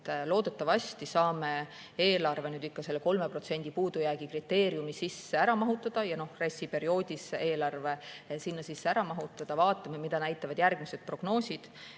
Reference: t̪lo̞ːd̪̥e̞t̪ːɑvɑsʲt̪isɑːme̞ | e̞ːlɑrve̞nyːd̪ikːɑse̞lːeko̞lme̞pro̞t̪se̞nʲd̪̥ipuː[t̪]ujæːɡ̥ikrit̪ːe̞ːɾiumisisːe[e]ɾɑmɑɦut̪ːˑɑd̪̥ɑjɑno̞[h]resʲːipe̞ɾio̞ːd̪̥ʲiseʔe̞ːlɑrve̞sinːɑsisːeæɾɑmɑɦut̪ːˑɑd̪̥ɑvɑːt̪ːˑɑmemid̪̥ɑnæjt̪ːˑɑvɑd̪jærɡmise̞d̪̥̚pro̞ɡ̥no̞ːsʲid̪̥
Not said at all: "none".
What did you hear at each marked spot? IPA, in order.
d̪, æ, h

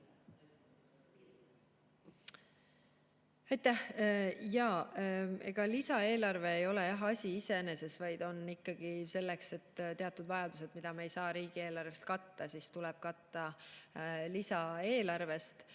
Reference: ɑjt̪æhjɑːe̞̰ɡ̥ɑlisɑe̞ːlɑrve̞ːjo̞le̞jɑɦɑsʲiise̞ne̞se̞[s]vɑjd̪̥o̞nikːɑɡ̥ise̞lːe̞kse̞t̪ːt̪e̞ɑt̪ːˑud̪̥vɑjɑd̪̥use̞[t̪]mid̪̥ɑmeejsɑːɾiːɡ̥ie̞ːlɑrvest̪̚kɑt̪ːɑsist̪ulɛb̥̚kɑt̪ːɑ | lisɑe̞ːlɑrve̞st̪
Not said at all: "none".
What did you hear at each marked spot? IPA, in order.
s, d̪

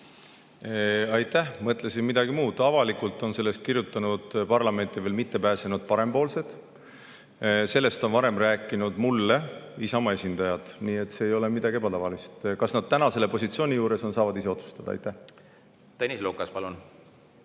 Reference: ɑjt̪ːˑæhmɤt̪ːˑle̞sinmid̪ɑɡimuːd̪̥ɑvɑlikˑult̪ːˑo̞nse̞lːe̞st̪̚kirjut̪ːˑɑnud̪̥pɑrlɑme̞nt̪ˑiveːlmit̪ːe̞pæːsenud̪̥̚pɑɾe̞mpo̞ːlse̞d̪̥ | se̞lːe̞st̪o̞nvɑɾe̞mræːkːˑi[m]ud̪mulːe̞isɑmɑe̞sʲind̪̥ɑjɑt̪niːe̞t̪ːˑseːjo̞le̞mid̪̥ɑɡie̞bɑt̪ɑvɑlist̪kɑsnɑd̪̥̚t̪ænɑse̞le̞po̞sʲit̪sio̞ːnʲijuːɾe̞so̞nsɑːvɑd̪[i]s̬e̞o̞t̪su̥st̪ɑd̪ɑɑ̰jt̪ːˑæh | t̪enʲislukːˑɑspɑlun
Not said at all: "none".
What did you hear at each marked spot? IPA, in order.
n, i

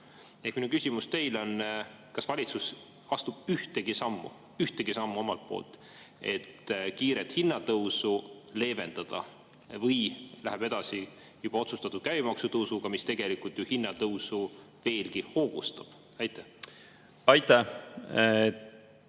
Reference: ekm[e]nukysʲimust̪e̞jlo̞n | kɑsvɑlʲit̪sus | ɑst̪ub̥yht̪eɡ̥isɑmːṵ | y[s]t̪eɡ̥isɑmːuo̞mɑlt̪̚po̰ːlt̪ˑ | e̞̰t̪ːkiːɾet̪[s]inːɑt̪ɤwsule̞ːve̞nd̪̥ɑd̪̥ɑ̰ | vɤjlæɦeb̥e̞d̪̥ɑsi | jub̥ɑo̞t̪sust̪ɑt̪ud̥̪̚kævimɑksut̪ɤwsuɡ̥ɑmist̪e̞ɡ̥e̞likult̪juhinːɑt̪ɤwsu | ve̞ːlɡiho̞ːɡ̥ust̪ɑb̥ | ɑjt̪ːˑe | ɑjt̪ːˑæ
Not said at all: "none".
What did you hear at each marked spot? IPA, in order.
i, h, h

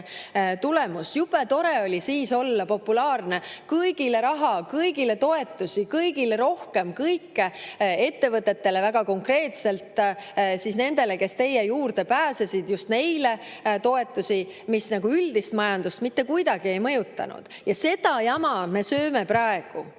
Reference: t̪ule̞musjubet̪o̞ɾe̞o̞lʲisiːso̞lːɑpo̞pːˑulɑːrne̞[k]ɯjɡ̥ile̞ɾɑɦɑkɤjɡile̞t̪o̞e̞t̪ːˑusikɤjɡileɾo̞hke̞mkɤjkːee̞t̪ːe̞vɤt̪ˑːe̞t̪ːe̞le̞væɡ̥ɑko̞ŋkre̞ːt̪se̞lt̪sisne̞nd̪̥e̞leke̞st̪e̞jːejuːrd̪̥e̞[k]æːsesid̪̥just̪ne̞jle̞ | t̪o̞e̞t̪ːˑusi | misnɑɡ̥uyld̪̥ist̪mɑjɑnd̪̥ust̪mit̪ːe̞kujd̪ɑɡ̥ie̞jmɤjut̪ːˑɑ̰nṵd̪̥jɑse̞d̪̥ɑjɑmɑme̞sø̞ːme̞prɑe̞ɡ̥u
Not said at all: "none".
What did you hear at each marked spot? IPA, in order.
k, p

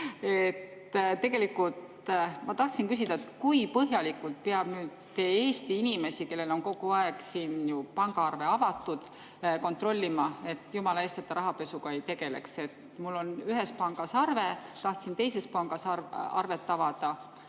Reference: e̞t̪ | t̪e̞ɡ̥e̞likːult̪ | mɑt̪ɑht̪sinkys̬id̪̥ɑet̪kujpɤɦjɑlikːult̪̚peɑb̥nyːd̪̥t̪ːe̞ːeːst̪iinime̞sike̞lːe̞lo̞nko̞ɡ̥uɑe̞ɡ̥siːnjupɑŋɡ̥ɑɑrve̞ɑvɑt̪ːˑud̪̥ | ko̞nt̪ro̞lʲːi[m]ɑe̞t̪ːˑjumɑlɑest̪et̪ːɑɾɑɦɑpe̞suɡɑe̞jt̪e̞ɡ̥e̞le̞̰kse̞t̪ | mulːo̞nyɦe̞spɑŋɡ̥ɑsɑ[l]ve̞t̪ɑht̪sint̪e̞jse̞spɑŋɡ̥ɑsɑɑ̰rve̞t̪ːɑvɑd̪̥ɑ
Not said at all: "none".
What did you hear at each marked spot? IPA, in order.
m, r

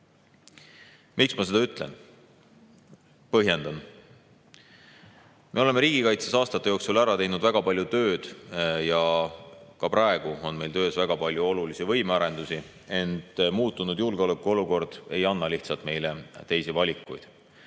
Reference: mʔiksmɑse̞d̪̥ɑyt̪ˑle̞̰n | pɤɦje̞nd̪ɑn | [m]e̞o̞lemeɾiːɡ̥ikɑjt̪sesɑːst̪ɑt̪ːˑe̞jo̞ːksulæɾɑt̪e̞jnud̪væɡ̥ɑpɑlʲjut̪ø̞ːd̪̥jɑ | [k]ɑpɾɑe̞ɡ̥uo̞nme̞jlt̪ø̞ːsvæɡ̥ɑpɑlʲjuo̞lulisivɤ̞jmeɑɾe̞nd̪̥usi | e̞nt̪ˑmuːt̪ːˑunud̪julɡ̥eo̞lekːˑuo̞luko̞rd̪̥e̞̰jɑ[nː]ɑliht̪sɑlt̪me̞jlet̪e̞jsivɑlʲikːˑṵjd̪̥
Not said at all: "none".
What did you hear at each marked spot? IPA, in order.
m, k, nː

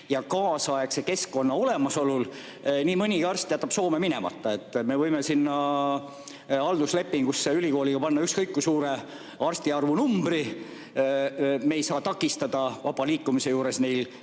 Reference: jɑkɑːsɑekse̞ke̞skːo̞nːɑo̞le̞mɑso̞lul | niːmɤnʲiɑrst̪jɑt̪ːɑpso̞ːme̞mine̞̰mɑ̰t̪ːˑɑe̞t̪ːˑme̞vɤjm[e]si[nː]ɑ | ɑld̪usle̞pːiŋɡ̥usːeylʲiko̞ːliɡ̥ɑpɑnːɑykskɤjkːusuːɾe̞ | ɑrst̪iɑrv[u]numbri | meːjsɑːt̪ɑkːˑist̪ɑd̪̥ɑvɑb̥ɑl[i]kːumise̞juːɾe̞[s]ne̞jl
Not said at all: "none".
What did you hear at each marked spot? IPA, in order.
e, nː, u, iː, s

